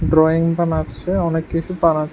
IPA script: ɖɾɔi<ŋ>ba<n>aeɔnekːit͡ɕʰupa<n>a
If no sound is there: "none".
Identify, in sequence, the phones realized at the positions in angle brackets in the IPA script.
ŋ, n, n

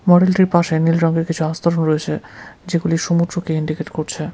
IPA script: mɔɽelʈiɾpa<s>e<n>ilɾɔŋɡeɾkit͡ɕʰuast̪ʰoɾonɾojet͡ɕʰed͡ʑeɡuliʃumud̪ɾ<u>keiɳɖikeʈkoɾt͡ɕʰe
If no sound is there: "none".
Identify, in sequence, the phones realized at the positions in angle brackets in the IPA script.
ʃ, n, o

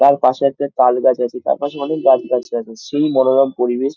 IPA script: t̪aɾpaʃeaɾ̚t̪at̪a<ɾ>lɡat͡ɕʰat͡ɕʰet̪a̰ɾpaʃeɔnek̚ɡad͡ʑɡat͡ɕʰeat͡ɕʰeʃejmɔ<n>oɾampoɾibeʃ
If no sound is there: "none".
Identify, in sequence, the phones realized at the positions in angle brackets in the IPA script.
none, n

